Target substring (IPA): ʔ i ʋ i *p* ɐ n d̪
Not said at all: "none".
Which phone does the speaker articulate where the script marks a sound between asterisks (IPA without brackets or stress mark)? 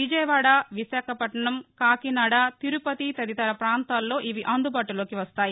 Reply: ʔ